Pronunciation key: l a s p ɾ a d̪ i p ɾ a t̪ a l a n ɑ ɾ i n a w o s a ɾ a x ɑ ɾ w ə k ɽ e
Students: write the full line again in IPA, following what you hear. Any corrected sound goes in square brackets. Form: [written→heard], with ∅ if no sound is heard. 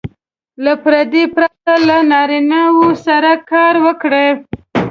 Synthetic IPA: l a [s→∅] p ɾ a d̪ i p ɾ a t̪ a l a n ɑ ɾ i n a w o s a ɾ a [x→k] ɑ ɾ w ə k ɽ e

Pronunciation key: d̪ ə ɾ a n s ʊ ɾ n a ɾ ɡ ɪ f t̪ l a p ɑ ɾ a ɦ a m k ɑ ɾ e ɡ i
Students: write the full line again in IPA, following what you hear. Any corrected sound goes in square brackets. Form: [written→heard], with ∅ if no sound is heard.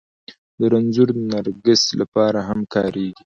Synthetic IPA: d̪ ə ɾ a n [s→z] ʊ ɾ n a ɾ ɡ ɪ [f→s] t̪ l a p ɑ ɾ a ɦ a m k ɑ ɾ e ɡ i

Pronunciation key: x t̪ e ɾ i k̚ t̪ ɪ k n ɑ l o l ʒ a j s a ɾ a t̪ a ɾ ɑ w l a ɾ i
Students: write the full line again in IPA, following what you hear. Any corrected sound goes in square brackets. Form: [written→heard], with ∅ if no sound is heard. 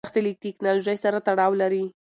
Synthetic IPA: x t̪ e [ɾ→l] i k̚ t̪ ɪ k n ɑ l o [l→∅] ʒ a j s a ɾ a t̪ a [ɾ→ɽ] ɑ w l a ɾ i

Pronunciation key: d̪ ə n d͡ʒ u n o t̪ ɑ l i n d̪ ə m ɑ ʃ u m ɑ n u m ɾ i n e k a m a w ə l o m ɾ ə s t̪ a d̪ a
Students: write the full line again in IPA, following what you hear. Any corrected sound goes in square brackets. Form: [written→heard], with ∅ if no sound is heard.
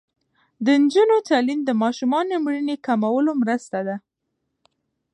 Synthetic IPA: d̪ ə n d͡ʒ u n o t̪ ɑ l i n d̪ ə m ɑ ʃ u m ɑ n [u→o] m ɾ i n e k a m a w ə l o m ɾ ə s t̪ a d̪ a

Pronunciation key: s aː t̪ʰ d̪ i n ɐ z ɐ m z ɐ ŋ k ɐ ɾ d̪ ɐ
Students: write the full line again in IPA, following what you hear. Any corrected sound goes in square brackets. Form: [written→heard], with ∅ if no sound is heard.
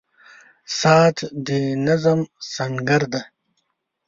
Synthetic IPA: s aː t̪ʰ d̪ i n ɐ z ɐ m [z→s] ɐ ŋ [k→ɡ] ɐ ɾ d̪ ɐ

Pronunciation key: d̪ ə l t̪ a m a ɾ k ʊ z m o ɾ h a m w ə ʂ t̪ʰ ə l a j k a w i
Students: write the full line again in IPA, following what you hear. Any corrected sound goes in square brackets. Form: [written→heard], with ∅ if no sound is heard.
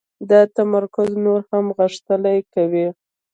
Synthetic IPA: d̪ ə [l→∅] t̪ a m a ɾ k ʊ z [m→n] o ɾ h a m [w→ɣ] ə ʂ [t̪ʰ→t̪] ə l a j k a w i

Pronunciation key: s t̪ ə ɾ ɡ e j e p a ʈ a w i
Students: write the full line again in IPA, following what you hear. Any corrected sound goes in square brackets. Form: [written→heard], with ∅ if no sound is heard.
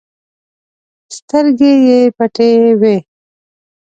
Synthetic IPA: s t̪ ə ɾ ɡ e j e p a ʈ [a→e] w [i→e]

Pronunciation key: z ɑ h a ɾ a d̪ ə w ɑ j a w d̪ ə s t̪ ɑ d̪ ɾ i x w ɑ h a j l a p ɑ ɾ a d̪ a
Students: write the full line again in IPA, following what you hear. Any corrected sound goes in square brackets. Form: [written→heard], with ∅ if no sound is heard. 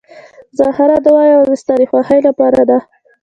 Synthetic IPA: z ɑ h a ɾ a d̪ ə w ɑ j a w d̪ ə s t̪ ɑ [d̪→∅] ɾ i x w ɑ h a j l a p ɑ ɾ a d̪ a

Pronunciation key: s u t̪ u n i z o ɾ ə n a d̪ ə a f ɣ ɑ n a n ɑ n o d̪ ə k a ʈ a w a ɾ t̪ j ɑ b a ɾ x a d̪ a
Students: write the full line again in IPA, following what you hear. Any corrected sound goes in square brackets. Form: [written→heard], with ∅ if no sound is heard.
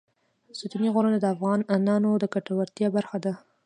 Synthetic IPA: s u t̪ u n i [z→ɣ] o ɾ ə n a d̪ ə a f ɣ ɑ n a n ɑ n o d̪ ə k a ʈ a w a ɾ t̪ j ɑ b a ɾ x a d̪ a

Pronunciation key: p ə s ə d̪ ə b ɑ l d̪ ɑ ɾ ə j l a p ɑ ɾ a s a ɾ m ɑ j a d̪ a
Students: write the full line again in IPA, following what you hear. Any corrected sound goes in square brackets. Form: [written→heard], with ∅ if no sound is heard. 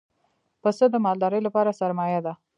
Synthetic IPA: p ə s ə d̪ ə [b→m] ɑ l d̪ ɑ ɾ ə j l a p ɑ ɾ a s a ɾ m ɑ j a d̪ a

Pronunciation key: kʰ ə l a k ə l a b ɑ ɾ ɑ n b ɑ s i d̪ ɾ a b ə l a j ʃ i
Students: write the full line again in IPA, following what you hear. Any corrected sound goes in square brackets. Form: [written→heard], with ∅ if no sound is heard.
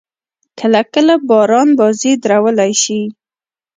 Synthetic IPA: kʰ ə l a k ə l a b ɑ ɾ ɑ n b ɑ [s→z] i d̪ ɾ a [b→w] ə l a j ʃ i

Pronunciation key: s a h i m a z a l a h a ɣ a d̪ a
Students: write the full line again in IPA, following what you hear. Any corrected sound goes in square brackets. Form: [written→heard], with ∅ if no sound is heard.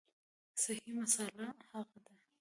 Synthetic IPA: s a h i m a [z→s] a l a h a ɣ a d̪ a

